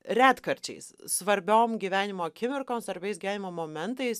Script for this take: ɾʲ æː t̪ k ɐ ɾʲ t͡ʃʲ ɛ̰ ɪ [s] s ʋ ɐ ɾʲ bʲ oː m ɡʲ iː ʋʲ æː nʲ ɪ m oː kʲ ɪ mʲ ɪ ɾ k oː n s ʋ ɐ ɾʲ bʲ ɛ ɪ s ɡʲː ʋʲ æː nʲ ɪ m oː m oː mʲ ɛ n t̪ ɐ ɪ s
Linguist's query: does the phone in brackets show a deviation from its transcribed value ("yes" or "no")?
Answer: no